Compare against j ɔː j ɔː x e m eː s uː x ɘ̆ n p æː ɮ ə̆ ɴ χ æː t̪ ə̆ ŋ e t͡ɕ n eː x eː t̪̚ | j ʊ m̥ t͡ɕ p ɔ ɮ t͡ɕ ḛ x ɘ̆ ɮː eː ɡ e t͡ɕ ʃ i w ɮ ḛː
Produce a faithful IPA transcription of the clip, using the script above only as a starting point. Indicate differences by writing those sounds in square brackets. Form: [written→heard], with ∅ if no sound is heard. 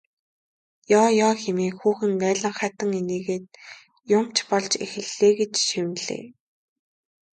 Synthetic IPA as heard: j ɔː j ɔː x e m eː [s→x] uː x ɘ̆ n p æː ɮ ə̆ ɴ χ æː t̪ ə̆ ŋ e [t͡ɕ→∅] n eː [x→ɣ] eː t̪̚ | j ʊ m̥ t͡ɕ p ɔ ɮ t͡ɕ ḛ x ɘ̆ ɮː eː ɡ e t͡ɕ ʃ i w ɮ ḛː